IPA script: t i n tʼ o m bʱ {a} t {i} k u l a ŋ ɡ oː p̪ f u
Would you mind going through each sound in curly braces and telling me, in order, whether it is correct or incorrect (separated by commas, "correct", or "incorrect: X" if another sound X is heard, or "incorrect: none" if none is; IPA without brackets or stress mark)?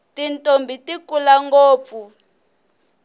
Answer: incorrect: i, correct